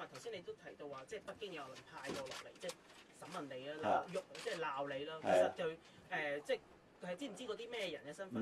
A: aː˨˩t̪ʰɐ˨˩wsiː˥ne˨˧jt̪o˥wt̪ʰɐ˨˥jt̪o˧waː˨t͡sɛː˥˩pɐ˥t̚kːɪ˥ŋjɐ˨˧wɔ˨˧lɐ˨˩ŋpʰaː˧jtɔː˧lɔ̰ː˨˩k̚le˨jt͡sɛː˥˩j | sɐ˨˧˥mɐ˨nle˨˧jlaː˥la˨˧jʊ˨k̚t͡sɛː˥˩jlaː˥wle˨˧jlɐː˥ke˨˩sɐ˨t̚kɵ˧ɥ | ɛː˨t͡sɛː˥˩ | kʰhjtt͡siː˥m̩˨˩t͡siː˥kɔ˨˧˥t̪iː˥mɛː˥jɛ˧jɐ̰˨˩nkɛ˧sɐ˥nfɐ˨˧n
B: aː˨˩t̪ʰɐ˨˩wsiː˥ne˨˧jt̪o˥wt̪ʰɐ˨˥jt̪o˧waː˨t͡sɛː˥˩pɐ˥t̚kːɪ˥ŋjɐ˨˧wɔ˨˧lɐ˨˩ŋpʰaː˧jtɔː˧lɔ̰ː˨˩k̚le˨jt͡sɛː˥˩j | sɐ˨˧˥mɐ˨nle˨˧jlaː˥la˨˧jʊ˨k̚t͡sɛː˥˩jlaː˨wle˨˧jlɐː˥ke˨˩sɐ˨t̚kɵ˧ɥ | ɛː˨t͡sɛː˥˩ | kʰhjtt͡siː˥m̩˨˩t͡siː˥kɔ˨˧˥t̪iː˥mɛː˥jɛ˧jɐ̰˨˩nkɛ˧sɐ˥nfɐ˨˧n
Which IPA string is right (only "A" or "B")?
B